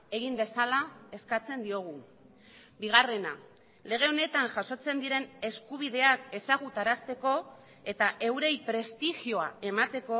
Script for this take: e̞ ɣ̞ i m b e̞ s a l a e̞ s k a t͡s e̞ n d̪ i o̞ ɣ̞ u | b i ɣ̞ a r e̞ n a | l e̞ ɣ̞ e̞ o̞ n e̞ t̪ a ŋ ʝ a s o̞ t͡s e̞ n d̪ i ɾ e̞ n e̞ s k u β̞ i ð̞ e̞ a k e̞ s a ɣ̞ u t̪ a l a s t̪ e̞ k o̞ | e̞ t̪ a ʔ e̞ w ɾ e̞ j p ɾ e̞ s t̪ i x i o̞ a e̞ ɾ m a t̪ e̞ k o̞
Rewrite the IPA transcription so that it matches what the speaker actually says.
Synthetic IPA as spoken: e̞ ɣ̞ i m b e̞ s a l a e̞ s k a t͡s e̞ n d̪ i o̞ ɣ̞ u | b i ɣ̞ a r e̞ n a | l e̞ ɣ̞ e̞ o̞ n e̞ t̪ a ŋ ʝ a s o̞ t͡s e̞ n d̪ i ɾ e̞ n e̞ s k u β̞ i ð̞ e̞ a k e̞ s a ɣ̞ u t̪ a ɾ a s t̪ e̞ k o̞ | e̞ t̪ a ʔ e̞ w ɾ e̞ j p ɾ e̞ s t̪ i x i o̞ a e̞ m a t̪ e̞ k o̞